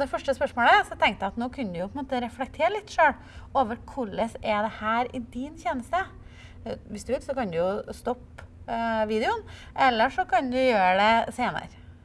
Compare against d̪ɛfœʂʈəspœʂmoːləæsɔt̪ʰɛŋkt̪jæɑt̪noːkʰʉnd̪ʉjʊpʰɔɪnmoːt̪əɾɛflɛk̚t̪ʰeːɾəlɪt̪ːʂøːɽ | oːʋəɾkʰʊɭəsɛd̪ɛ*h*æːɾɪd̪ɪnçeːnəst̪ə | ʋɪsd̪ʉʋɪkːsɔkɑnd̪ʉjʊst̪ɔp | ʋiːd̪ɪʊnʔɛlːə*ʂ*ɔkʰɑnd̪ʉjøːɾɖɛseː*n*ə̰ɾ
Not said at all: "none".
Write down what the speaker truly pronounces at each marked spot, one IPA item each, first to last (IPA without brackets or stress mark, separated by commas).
h, ʂ, n